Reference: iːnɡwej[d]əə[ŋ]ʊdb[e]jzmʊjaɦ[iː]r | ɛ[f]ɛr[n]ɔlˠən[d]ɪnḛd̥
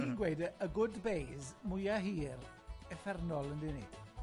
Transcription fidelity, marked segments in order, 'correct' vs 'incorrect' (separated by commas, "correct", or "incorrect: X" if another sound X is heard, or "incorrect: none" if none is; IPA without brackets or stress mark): correct, incorrect: ɡ, correct, correct, correct, correct, correct